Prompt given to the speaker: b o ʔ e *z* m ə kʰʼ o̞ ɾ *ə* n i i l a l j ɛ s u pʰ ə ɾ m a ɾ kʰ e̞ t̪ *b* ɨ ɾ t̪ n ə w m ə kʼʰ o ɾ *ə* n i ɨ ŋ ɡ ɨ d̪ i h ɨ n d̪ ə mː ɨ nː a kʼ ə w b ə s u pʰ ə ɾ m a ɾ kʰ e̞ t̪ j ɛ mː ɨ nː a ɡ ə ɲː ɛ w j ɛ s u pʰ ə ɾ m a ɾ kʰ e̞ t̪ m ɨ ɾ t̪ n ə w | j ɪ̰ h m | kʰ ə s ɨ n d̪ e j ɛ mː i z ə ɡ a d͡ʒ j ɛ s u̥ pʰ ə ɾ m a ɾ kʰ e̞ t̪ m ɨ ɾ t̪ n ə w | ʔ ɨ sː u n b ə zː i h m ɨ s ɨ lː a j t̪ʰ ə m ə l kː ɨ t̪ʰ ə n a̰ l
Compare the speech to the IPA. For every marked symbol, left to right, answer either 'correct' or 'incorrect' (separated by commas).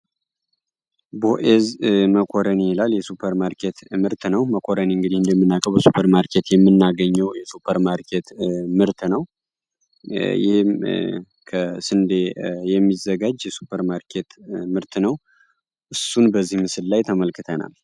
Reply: correct, correct, incorrect, correct